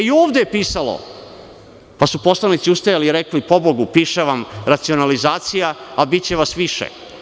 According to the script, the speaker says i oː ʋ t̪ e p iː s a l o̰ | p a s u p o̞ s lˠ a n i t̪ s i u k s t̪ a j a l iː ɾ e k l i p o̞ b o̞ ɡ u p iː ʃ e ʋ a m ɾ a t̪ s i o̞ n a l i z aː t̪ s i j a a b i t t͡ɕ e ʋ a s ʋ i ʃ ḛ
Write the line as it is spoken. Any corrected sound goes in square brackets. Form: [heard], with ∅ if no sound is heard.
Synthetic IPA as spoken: i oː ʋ [d̪] e p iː s a l o̰ | p a s u p o̞ s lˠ a n i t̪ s i u [∅] s t̪ a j a l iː ɾ e k l i p o̞ b o̞ ɡ u p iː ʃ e ʋ a m ɾ a t̪ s i o̞ n a l i z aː t̪ s i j a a b i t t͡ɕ e ʋ a s ʋ i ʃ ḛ